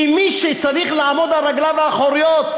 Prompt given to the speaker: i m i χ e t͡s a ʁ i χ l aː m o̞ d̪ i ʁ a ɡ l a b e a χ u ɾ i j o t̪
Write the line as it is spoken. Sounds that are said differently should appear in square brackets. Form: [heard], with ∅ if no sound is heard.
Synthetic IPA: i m i [ʃ] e t͡s a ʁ i χ l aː m o̞ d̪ [a] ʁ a ɡ l a [v] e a χ [o] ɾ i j o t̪